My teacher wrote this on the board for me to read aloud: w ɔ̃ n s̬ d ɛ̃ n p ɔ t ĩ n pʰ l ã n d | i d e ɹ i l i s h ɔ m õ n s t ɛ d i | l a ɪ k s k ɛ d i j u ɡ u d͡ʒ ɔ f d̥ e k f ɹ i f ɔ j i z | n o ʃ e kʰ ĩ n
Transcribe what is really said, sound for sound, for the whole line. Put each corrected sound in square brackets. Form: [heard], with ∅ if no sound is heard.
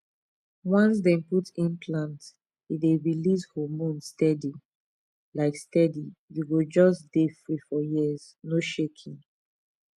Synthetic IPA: w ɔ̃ n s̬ d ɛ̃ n p [u] t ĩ n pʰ l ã n [t] | i d e ɹ i l i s h ɔ m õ n s t ɛ d i | l a ɪ k s [t] ɛ d i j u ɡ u d͡ʒ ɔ [s] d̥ e [∅] f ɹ i f ɔ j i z | n o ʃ e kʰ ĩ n